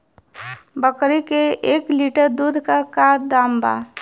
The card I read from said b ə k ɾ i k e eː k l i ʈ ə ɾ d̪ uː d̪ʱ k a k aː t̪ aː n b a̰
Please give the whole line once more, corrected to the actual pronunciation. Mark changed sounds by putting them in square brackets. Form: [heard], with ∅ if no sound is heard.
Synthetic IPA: b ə k ɾ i k e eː k l i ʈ ə ɾ d̪ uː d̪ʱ k a k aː [d̪] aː [m] b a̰